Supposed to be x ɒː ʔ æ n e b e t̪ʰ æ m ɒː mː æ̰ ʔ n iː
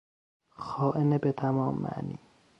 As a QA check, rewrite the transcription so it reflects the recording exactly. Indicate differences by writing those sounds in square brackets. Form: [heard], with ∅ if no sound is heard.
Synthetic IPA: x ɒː ʔ [e] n e b e t̪ʰ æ m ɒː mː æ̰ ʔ n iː